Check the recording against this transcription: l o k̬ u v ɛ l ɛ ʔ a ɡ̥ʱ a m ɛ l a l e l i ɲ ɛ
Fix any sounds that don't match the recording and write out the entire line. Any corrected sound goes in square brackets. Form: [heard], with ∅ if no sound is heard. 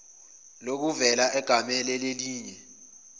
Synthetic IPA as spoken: l o k̬ u v ɛ l [a] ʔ [ɛ] ɡ̥ʱ a m ɛ l [ɛ] l e l [iː] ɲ ɛ

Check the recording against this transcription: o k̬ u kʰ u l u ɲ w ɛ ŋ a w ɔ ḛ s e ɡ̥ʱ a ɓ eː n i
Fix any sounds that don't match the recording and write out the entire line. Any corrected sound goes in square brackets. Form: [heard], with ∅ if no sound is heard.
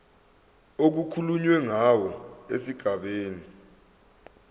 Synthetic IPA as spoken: o k̬ u kʰ u l u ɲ w ɛ ŋ a w ɔ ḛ s [i] ɡ̥ʱ a ɓ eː n i

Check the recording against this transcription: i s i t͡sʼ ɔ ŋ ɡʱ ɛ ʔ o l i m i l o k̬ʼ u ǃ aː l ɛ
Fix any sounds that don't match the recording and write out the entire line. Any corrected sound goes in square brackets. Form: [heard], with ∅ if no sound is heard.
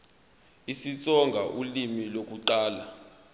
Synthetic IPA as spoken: i s i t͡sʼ ɔ ŋ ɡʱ [a] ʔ [u] l i m i l o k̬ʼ u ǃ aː l [a]

